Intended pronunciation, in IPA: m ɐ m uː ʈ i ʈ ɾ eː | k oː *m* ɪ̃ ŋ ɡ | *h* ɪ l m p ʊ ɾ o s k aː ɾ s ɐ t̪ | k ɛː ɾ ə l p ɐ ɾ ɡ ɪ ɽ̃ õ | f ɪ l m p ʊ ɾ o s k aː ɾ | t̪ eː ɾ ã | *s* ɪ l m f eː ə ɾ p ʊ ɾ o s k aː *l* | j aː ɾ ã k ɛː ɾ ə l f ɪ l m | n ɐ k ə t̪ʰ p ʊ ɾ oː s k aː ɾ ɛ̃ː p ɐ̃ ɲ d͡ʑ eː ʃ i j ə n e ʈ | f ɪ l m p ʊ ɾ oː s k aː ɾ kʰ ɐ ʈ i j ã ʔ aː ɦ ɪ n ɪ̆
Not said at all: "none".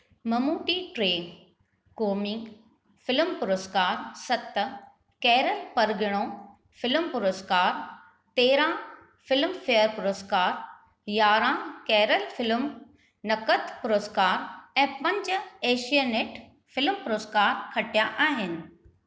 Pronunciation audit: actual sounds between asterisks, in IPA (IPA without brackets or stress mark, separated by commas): m, f, f, ɾ